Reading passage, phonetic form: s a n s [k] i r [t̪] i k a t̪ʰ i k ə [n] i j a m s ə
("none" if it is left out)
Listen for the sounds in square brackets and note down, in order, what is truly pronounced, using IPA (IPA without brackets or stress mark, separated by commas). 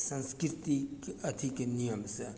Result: k, t̪, n